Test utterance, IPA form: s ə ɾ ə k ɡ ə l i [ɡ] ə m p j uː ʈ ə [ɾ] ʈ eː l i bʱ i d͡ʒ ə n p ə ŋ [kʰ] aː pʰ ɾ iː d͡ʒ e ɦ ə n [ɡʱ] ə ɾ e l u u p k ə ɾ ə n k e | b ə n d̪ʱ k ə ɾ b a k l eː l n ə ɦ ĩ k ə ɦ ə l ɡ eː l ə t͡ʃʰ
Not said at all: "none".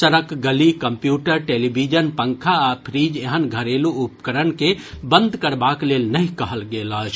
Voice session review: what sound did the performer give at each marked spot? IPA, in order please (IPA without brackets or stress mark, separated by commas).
k, ɾ, kʰ, ɡʱ